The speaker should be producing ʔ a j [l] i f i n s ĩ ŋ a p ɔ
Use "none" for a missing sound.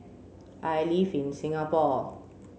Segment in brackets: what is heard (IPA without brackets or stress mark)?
l